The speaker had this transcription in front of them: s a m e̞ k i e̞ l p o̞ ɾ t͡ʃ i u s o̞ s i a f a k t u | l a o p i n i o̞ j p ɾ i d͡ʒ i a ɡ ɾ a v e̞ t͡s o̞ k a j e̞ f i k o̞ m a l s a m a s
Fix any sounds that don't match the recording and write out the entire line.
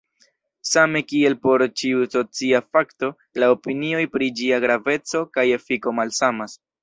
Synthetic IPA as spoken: s a m e̞ k i e̞ l p o̞ ɾ t͡ʃ i u s o̞ t͡s i a f a k t o | l a o p i n i o̞ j p ɾ i d͡ʒ i a ɡ ɾ a v e̞ t͡s o̞ k a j e̞ f i k o̞ m a l s a m a s